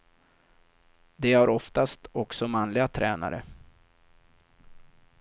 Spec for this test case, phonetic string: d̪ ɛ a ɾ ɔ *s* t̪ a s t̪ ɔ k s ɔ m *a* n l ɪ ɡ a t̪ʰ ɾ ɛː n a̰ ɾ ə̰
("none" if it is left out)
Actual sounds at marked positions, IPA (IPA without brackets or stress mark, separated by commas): f, a